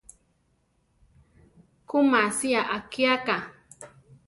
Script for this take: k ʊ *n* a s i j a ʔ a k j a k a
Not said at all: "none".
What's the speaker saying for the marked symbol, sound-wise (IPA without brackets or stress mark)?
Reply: m